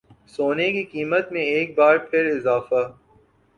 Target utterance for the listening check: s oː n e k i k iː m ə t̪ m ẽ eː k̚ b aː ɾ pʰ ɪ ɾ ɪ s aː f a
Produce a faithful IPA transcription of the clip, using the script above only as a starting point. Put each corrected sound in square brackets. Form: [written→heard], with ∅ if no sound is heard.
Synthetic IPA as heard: s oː n e k i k iː m ə t̪ m ẽ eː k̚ b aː ɾ pʰ ɪ ɾ ɪ [s→z] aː f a